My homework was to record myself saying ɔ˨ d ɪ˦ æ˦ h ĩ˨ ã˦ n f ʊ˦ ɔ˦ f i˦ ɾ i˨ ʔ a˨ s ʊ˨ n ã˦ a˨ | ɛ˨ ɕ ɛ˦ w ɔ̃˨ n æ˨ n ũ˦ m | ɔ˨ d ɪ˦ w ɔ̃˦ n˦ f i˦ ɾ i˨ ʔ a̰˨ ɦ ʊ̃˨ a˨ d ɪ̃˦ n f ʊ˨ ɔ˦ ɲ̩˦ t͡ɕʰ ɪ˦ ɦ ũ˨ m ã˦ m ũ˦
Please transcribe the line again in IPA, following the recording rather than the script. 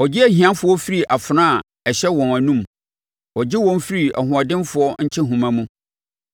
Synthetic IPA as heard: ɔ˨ d͡ʑ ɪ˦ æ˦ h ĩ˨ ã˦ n f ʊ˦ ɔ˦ f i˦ ɾ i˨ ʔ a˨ f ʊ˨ n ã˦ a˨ | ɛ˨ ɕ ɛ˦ w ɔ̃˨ n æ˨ n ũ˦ m | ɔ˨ d͡ʑ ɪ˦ w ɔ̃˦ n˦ f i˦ ɾ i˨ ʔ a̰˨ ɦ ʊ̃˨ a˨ d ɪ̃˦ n f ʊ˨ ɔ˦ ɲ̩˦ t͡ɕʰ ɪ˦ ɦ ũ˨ m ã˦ m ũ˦